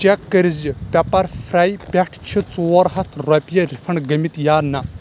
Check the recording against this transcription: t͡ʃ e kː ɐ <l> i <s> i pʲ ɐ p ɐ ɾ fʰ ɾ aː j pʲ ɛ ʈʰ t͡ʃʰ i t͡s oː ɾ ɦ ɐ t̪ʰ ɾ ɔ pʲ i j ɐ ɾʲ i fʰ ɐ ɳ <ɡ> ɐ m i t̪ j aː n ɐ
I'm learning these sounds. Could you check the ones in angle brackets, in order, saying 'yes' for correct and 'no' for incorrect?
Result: no, no, yes

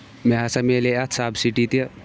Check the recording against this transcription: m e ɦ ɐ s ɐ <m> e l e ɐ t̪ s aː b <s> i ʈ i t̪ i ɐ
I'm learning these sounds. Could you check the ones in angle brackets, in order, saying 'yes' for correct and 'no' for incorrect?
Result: yes, yes

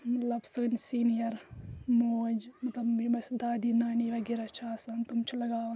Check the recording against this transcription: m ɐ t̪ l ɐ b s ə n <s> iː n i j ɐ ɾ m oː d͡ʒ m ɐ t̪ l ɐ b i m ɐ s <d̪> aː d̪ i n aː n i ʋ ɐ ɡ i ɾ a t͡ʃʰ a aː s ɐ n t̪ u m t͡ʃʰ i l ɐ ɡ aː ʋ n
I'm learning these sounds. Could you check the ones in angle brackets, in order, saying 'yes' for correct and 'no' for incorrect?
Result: yes, yes

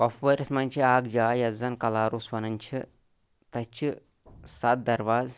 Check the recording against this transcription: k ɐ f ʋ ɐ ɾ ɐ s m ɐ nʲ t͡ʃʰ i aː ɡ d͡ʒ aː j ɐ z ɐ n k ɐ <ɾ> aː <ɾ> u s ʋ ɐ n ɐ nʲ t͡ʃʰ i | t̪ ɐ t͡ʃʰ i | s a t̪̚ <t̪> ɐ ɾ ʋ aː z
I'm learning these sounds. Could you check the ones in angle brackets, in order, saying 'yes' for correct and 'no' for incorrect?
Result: no, yes, no

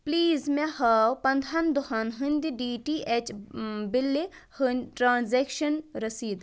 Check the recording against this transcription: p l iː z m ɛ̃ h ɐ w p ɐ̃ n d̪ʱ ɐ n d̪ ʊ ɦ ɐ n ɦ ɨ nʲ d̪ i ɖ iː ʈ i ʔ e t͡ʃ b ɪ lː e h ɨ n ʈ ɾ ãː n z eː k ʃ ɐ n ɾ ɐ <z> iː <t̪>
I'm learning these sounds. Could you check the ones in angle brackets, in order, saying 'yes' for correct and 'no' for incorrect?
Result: no, no

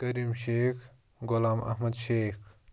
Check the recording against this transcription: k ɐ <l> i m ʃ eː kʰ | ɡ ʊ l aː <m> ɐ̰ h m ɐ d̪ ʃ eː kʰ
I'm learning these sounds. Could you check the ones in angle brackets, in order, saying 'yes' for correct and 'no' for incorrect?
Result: no, yes

